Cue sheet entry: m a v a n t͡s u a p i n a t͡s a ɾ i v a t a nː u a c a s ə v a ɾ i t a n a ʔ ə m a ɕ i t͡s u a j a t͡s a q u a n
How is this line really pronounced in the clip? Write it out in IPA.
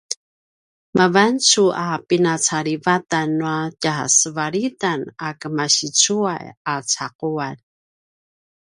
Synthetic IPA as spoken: m a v a n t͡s u a p i n a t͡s a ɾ i v a t a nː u a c a s ə v a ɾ i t a n a k ə m a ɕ i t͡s u a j a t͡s a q u a n